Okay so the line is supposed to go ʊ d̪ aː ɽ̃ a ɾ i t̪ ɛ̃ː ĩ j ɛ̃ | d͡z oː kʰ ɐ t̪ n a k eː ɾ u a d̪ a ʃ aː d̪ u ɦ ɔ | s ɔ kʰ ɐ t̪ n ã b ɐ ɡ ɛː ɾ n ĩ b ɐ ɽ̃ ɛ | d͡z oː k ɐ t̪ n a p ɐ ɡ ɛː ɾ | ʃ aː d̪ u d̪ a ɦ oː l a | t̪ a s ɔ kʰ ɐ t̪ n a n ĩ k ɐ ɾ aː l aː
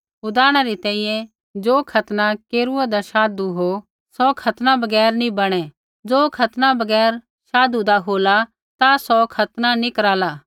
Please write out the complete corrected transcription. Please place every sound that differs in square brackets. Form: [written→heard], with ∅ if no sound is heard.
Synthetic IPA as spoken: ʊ d̪ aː ɽ̃ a ɾ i t̪ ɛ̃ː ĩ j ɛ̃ | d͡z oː kʰ ɐ t̪ n a k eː ɾ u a d̪ a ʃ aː d̪ u ɦ [ɔ→o] | s ɔ kʰ ɐ t̪ n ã b ɐ ɡ ɛː ɾ n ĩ b ɐ ɽ̃ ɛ | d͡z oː [k→kʰ] ɐ t̪ n a [p→b] ɐ ɡ ɛː ɾ | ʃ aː d̪ u d̪ a ɦ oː l a | t̪ a s ɔ kʰ ɐ t̪ n a n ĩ k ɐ ɾ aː l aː